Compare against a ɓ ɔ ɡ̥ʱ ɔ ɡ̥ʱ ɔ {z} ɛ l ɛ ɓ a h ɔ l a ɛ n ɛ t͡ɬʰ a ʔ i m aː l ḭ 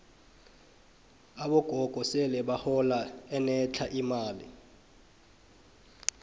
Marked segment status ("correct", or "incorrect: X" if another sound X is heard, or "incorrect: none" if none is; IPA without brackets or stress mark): incorrect: s